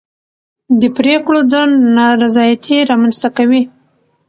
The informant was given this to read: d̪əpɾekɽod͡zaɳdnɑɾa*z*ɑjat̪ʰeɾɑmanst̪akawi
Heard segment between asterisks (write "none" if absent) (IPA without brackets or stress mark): z